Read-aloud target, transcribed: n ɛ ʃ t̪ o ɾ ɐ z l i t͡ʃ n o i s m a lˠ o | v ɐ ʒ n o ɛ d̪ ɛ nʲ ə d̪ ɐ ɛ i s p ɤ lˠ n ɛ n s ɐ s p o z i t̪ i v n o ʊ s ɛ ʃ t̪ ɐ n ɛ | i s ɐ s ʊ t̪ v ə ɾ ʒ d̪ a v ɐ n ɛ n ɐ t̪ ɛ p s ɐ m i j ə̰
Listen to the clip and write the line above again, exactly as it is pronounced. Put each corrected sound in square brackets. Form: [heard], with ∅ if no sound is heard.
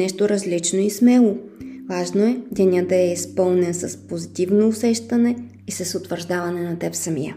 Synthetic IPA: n ɛ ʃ t̪ o ɾ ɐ z l i t͡ʃ n o i s m [ɛ] lˠ o | v [a] ʒ n o ɛ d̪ ɛ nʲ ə d̪ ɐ ɛ i s p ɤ lˠ n ɛ n s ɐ s p o z i t̪ i v n o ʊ s ɛ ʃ t̪ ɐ n ɛ | i s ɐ s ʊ t̪ v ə ɾ ʒ d̪ a v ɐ n ɛ n ɐ t̪ ɛ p s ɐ m i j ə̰